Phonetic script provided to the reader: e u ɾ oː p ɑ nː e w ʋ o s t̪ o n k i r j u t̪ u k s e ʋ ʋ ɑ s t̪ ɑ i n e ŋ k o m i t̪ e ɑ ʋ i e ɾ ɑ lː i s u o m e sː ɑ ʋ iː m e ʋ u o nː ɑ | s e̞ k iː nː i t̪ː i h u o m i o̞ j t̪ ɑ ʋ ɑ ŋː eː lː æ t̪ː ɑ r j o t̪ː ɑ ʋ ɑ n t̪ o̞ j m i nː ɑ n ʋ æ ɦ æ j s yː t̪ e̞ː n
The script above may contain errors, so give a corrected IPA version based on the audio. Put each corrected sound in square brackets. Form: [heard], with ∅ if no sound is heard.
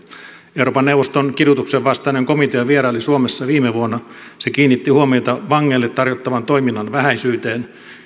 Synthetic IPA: e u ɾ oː p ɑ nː e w ʋ o s t̪ o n k i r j u t̪ u k s e ʋ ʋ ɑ s t̪ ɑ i n e ŋ k o m i t̪ e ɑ ʋ i e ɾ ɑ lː i s u o m e sː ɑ ʋ iː m e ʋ u o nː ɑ | s e̞ k iː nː i t̪ː i h u o m i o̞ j t̪ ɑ ʋ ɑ ŋː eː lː [e] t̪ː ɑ r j o t̪ː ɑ ʋ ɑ n t̪ o̞ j m i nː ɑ n ʋ æ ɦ æ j s yː t̪ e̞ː n